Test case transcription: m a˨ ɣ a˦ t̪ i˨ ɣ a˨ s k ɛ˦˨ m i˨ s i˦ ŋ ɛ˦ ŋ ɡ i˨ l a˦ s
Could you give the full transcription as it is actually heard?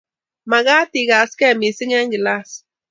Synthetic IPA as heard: m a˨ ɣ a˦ t̪ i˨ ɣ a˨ s k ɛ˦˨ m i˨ s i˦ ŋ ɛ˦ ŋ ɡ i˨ l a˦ s